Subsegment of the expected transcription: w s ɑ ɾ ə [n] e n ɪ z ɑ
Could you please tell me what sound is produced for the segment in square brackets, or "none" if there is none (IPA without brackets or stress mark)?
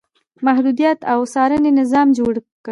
n